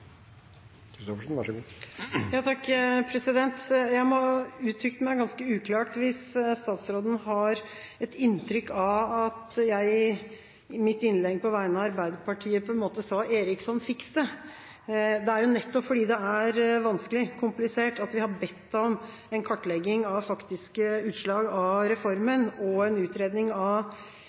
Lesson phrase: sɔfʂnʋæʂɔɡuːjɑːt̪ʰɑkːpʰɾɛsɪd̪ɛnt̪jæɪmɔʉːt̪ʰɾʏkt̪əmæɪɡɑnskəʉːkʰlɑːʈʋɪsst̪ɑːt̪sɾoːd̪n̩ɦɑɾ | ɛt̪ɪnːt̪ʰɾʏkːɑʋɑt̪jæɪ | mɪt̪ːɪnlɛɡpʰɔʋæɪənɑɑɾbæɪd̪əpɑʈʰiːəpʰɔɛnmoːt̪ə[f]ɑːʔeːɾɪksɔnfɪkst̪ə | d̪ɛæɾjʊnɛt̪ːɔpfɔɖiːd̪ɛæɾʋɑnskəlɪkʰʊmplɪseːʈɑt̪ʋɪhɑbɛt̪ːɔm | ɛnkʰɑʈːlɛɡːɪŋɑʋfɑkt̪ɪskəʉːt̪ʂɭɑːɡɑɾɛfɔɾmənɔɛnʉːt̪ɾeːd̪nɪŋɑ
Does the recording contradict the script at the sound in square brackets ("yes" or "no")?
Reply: yes